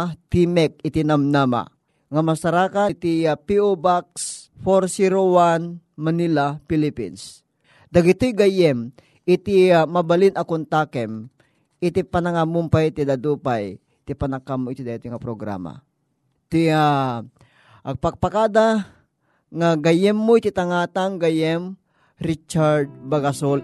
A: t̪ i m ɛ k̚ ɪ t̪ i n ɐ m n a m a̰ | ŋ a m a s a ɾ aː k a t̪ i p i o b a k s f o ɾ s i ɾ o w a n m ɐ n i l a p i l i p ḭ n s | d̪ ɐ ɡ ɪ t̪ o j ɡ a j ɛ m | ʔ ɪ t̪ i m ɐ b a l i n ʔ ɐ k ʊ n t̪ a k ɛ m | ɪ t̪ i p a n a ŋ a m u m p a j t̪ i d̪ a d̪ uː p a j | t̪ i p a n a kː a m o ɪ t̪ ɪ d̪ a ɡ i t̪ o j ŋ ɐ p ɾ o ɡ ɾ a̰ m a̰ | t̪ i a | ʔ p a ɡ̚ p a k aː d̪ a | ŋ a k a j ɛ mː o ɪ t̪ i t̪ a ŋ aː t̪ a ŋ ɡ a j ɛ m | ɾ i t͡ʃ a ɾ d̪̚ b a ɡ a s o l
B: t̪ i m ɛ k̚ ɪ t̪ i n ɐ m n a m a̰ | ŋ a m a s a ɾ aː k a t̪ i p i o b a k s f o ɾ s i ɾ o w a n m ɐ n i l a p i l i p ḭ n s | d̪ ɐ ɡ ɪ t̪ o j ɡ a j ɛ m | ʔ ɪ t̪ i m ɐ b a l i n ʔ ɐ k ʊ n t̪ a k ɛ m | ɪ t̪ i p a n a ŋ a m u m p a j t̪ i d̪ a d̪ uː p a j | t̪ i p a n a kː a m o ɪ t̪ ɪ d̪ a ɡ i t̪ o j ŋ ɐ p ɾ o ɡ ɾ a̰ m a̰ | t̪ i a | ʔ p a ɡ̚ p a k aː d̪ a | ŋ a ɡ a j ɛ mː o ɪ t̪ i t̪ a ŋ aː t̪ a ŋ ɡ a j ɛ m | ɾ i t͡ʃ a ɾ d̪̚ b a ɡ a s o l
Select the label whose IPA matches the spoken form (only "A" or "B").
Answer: B